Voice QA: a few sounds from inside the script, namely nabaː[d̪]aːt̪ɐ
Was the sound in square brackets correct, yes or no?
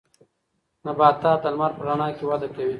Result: no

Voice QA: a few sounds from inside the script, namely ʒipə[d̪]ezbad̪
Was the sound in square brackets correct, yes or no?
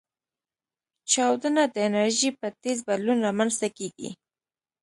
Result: no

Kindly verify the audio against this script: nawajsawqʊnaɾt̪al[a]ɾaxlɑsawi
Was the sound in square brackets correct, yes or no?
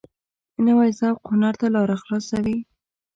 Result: no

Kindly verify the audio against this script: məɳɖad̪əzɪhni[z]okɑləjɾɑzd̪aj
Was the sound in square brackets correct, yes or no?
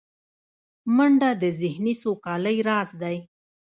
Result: no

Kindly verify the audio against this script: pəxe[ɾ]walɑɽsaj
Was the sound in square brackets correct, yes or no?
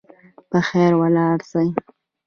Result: yes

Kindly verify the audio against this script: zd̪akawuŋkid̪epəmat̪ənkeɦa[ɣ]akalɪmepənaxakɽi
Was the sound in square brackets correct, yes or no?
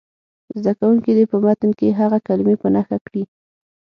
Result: yes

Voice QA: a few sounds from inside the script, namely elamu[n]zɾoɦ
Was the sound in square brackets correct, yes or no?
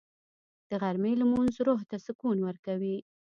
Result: yes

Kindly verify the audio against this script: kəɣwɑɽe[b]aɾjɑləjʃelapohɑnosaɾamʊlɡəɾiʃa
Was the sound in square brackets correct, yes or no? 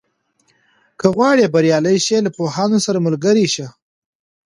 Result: yes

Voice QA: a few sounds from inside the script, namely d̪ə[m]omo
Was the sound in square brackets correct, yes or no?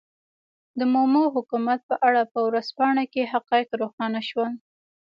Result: yes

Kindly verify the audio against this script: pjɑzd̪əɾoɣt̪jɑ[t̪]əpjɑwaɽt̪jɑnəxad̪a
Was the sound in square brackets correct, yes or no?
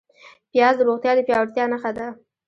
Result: no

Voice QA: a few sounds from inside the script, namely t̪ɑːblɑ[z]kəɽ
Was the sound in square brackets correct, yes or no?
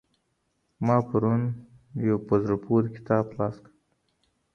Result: no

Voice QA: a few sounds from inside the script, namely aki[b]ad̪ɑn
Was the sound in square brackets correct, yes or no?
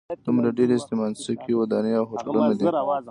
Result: no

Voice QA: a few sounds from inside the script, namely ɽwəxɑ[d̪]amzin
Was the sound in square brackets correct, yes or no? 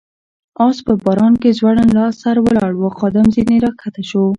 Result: yes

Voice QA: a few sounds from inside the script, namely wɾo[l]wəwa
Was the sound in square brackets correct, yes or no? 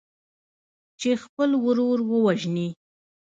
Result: no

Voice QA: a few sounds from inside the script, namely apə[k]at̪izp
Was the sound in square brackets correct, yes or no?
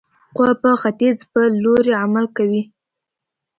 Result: no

